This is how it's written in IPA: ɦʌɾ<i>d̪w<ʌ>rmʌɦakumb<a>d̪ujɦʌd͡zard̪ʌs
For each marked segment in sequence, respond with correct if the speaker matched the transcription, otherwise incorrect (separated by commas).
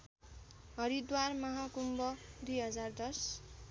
correct, incorrect, incorrect